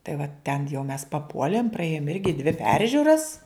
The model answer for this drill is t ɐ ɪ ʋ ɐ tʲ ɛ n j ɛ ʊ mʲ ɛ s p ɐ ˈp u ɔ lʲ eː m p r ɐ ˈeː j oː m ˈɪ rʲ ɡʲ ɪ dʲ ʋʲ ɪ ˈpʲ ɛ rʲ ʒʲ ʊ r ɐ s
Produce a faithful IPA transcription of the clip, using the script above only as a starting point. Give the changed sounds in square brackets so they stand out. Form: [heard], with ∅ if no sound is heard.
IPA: t ɐ ɪ ʋ ɐ tʲ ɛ n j ɛ ʊ mʲ ɛ s p ɐ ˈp u ɔ lʲ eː m p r ɐ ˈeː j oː m ˈɪ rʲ ɡʲ ɪ dʲ ʋʲ ɪ ˈpʲ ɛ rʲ ʒʲ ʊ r ɐ s